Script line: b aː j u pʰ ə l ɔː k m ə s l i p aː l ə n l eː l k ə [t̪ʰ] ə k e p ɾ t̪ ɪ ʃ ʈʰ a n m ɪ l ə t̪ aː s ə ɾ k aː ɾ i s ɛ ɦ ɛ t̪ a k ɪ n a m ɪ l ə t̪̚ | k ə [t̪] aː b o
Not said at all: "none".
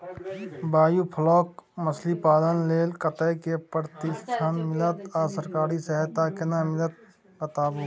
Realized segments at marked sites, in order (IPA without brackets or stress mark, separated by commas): t̪, t̪